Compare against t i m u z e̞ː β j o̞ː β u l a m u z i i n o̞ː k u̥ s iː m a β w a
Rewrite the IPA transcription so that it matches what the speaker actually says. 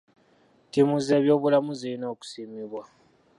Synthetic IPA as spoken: t i m u z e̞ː β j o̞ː β u l a m u z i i n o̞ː k u̥ s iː m i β w a